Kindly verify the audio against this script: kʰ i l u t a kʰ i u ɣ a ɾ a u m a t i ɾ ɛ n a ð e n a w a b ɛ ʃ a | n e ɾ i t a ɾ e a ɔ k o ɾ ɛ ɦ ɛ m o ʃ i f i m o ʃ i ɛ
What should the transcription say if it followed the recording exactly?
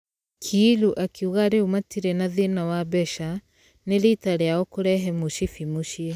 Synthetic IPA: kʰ i l u ʔ a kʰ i u ɣ a ɾ e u m a t i ɾ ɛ n a ð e n a w a b ɛ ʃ a | n e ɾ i t a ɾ e a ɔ k o ɾ ɛ ɦ ɛ m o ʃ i f i m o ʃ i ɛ